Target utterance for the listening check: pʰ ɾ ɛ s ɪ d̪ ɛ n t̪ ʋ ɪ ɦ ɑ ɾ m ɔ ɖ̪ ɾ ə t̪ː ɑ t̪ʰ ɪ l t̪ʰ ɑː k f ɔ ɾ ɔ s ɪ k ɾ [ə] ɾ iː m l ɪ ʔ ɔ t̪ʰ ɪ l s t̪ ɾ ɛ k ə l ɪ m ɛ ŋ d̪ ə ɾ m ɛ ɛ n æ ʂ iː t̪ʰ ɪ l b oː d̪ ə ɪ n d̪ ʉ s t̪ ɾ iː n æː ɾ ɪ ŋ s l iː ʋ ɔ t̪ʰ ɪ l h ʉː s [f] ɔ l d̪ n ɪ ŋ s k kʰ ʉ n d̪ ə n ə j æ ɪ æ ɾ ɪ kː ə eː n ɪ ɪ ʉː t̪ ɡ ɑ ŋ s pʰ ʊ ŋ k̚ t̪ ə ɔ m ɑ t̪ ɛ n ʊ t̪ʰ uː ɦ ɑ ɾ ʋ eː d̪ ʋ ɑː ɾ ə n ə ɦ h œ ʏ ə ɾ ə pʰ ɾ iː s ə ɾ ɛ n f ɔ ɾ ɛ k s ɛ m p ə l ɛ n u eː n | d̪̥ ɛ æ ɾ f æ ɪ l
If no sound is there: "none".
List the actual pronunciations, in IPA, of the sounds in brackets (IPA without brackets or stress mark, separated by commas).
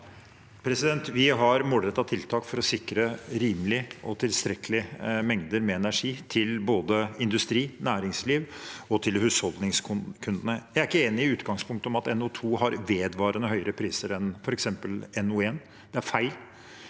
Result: ə, h